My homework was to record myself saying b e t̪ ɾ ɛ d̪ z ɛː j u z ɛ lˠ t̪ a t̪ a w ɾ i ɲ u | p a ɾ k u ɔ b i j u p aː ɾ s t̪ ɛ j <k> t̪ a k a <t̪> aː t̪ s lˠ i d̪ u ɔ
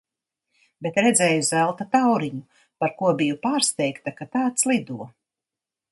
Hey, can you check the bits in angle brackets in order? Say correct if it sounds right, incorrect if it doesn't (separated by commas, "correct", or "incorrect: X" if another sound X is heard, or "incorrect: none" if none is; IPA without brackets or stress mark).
correct, correct